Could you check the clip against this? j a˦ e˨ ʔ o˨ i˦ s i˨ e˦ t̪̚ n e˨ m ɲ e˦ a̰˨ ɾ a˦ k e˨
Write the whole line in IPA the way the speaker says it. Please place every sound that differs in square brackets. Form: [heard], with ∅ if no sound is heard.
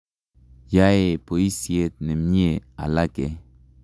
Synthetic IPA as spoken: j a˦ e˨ [p] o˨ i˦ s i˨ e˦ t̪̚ n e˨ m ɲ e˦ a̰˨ [l] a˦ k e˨

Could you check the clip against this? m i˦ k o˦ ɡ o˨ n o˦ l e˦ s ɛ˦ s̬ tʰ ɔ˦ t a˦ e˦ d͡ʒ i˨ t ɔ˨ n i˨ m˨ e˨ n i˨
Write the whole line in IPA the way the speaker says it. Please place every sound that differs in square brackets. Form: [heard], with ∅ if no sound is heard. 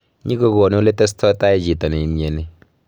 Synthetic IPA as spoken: [ɲ] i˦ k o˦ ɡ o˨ n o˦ l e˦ [t] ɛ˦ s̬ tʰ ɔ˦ t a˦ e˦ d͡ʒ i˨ t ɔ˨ n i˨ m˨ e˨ n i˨

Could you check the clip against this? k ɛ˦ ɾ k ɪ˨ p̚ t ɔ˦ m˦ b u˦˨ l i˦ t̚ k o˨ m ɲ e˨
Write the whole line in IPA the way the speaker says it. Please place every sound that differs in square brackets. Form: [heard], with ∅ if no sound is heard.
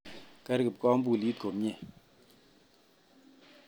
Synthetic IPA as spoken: k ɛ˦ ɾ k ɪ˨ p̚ [k] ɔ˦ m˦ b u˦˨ l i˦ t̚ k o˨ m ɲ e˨

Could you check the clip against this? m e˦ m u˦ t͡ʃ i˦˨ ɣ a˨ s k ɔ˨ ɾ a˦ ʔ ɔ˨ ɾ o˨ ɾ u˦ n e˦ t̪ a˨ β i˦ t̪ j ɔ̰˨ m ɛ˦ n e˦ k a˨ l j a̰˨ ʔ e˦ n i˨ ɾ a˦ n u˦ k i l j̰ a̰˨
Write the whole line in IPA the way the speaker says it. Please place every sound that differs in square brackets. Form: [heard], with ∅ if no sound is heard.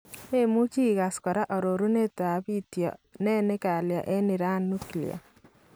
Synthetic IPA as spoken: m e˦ m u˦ t͡ʃ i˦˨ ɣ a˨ s k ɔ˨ ɾ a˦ ʔ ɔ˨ ɾ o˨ ɾ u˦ n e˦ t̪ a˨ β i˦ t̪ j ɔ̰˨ [n] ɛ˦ n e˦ k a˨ l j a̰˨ ʔ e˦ n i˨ ɾ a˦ n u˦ k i l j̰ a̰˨

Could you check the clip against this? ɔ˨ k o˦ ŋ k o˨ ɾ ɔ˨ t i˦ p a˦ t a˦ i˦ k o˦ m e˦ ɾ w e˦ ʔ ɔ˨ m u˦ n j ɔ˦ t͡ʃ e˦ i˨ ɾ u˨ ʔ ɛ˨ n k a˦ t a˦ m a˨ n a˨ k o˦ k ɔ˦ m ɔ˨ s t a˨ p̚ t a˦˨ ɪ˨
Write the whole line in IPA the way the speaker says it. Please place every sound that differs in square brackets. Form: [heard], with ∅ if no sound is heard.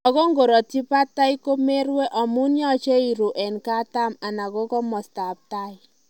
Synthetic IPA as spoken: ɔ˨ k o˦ ŋ [ɡ] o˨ ɾ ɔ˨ t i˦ p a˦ t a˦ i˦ k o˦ m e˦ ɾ w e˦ ʔ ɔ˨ m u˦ n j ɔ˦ t͡ʃ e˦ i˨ ɾ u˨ ʔ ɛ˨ n k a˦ t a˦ m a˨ n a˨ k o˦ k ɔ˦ m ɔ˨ s t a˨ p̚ t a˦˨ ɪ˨

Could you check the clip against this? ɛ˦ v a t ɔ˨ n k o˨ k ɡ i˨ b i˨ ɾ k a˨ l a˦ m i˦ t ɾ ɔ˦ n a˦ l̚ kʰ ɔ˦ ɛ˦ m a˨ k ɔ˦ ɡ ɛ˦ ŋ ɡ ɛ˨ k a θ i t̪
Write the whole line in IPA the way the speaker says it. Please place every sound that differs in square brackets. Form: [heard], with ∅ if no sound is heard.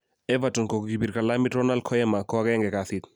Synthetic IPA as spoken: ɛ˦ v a t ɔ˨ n k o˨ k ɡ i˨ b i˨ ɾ k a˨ l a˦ m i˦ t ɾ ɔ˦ n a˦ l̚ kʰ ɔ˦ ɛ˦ m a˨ k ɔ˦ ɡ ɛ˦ ŋ ɡ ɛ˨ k a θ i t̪

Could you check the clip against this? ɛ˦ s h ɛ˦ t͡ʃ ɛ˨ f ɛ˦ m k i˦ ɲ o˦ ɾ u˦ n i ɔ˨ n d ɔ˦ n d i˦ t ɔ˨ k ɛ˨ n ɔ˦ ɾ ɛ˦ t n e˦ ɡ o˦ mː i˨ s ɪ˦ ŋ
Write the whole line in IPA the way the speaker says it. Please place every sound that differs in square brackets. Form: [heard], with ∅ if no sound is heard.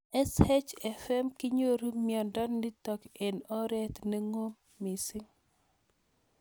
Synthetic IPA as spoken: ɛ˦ s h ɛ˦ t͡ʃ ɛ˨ f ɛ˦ m k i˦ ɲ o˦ ɾ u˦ [m] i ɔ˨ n d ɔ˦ n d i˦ t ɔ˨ k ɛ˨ n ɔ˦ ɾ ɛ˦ t n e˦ [ŋ] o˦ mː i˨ s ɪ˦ ŋ

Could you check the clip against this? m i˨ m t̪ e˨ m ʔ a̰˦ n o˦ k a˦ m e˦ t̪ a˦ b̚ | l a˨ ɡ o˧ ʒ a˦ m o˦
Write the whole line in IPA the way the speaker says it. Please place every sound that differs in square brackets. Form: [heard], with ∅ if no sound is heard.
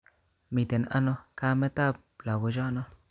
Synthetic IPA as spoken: m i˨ [∅] t̪ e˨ [n] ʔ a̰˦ n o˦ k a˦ m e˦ t̪ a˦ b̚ | l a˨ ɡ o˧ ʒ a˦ [n] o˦

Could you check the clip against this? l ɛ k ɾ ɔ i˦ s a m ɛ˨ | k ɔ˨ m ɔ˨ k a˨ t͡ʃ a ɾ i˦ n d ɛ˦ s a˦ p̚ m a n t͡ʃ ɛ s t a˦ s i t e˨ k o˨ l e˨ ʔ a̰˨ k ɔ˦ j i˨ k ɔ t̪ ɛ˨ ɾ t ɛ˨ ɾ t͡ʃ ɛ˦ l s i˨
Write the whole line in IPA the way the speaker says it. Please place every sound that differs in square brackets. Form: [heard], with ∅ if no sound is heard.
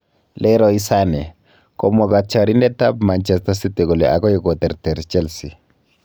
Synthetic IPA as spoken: l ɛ [∅] ɾ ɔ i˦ s a [n] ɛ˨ | k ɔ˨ m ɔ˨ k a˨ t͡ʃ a ɾ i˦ n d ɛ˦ [t] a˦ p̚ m a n t͡ʃ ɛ s t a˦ s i t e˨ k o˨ l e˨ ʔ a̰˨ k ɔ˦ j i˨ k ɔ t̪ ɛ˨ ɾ t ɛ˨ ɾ t͡ʃ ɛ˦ l s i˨

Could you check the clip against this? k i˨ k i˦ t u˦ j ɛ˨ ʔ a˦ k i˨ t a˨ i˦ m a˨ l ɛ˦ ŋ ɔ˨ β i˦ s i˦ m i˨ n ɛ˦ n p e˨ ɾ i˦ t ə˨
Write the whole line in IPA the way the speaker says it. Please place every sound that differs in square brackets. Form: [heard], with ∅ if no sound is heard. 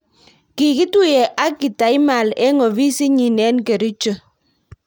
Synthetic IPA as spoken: k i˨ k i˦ t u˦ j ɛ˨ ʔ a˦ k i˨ t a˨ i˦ m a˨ l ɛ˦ ŋ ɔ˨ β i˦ s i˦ [ɲ] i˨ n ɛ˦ n [k] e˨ ɾ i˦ [t͡ʃ] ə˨

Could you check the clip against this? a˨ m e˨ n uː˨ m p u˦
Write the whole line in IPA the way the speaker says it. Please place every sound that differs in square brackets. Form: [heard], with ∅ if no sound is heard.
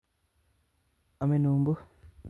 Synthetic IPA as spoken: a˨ m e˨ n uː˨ m [b] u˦

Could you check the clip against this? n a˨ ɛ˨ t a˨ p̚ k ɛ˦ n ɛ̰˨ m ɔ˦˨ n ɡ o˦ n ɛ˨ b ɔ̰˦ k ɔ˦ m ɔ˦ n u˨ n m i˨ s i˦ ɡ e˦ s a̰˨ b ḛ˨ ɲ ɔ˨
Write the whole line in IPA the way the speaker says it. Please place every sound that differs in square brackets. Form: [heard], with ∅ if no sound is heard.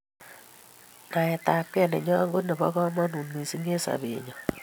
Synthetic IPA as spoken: n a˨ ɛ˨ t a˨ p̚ k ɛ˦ n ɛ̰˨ [ɲ] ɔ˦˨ [ŋ] ɡ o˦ n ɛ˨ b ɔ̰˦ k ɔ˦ m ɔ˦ n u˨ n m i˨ s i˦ [ŋ] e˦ s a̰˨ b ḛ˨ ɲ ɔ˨

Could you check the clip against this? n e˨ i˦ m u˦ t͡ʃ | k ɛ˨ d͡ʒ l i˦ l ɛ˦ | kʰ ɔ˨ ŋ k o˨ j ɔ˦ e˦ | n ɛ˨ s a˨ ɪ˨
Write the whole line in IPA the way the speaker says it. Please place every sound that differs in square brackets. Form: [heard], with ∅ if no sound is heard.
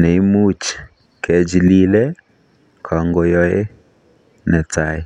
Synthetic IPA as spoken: n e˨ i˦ m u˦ t͡ʃ | k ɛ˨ d͡ʒ l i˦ l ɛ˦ | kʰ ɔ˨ ŋ [ɡ] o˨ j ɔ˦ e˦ | n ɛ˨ [t] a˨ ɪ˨

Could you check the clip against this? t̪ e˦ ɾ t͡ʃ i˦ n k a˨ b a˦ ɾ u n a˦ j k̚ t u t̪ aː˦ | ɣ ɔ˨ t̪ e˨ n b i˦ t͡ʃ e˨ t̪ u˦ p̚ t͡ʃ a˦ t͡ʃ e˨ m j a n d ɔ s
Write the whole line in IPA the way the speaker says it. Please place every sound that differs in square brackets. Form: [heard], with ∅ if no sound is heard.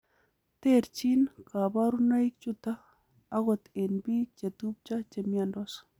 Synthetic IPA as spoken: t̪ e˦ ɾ t͡ʃ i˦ n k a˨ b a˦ ɾ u n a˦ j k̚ [t͡ʃ] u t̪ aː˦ | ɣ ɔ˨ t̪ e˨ n b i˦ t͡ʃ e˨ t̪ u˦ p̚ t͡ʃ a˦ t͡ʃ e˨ m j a n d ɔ s

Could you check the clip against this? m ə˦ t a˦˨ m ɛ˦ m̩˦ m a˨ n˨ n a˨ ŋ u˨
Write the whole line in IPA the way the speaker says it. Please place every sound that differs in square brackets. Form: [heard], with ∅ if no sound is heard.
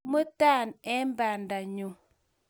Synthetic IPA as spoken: m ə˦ t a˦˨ [n] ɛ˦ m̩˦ [b] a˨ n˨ [d] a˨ [ɲ] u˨

